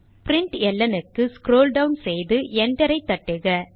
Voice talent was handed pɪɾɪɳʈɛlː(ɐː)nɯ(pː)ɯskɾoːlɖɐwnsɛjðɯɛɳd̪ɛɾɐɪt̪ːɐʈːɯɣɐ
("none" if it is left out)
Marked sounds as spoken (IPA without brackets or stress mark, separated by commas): ɐ, kː